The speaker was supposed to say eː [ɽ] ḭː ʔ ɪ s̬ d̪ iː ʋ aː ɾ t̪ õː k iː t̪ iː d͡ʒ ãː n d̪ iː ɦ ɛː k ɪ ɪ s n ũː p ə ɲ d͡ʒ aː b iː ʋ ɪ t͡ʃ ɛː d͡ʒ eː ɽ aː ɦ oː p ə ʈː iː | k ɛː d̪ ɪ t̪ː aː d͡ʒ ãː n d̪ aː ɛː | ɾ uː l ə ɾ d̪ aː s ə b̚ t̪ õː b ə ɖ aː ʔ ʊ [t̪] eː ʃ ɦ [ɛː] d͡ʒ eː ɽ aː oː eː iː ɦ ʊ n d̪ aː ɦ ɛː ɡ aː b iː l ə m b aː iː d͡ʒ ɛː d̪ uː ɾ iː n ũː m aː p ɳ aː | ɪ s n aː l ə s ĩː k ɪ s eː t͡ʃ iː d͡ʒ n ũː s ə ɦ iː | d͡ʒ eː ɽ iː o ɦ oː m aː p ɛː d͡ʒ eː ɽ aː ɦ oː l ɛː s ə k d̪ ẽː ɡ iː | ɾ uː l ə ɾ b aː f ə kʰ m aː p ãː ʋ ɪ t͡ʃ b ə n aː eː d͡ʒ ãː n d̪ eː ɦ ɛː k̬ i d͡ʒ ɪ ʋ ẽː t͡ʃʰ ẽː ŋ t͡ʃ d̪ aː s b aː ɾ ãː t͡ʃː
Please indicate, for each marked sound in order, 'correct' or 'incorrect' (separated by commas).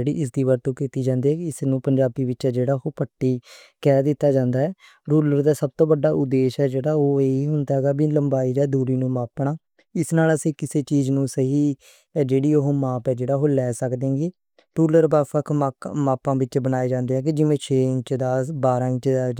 correct, incorrect, correct